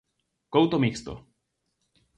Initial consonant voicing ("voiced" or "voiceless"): voiceless